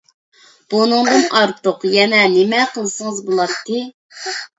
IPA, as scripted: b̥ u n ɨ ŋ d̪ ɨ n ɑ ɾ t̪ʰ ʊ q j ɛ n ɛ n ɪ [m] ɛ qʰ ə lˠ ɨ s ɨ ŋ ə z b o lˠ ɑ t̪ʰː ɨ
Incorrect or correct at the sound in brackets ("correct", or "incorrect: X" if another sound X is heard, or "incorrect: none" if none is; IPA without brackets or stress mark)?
correct